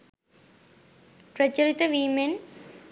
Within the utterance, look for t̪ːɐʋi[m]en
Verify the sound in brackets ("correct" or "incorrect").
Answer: correct